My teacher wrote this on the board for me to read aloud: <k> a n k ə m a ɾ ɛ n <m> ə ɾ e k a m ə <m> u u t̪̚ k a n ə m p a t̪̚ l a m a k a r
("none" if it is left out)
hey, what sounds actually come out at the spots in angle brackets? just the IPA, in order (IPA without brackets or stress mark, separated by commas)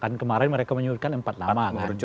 k, m, ɲ